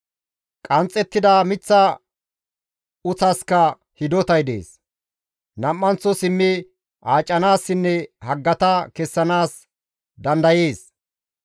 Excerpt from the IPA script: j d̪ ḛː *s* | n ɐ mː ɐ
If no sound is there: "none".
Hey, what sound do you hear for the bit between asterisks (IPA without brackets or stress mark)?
s